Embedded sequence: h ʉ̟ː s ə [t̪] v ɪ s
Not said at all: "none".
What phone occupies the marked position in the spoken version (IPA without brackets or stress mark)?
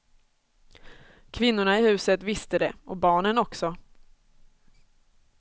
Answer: t̪